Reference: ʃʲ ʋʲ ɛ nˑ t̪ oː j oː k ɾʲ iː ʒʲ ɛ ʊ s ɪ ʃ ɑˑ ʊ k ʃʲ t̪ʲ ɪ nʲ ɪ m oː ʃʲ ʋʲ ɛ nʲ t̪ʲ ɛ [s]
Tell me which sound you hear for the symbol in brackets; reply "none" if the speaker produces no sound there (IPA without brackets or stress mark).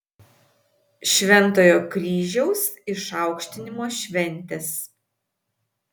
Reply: s